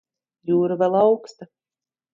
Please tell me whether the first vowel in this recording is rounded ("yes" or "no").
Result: yes